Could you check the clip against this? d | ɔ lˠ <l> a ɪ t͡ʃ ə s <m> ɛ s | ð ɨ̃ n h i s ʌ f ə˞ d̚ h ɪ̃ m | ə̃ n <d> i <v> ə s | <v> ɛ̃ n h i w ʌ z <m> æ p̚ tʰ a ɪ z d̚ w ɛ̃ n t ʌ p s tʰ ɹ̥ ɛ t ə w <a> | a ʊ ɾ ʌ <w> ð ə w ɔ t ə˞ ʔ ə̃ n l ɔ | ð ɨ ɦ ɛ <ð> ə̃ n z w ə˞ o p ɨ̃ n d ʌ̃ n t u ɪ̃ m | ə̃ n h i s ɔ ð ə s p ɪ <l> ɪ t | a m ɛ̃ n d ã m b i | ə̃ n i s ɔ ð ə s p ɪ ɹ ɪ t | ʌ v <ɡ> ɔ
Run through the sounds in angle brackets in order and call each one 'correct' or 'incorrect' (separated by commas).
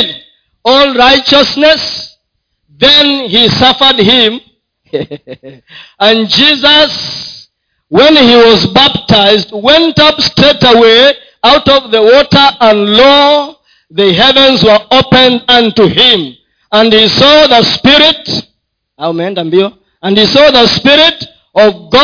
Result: incorrect, incorrect, incorrect, incorrect, incorrect, incorrect, incorrect, incorrect, incorrect, incorrect, correct